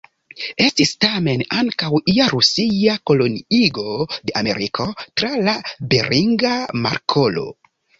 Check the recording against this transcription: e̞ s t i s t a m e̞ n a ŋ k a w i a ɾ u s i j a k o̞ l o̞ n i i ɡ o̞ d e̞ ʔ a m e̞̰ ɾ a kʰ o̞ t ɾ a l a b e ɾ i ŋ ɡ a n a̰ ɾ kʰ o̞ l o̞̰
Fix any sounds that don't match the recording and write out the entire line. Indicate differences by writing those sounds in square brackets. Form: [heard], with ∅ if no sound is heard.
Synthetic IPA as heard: e̞ s t i s t a m e̞ n a ŋ k a w i a ɾ u s i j a k o̞ l o̞ n i i ɡ o̞ d e̞ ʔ a m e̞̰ ɾ [i] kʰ o̞ t ɾ a l a b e ɾ i ŋ ɡ a [m] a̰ ɾ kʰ o̞ l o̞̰